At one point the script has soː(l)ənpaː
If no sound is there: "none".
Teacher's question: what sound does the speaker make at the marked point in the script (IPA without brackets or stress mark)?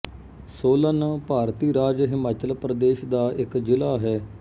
l